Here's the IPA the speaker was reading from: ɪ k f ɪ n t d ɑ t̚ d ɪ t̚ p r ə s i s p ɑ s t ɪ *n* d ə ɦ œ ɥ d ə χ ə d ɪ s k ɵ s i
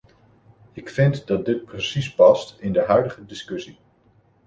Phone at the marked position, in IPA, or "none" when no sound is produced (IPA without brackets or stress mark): n